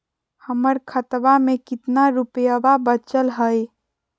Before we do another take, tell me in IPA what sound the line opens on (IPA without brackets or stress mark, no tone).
h